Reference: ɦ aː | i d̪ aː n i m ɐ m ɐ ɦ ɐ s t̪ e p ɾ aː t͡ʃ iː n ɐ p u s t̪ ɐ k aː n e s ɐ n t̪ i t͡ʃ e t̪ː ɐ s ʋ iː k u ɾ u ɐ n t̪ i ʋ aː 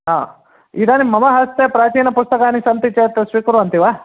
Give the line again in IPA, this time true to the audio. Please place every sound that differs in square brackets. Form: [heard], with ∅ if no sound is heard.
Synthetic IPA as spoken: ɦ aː | i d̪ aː n i m ɐ m ɐ ɦ ɐ s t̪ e p ɾ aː t͡ʃ iː n ɐ p u s t̪ ɐ k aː n [i] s ɐ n t̪ i t͡ʃ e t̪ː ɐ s ʋ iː k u ɾ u ɐ n t̪ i ʋ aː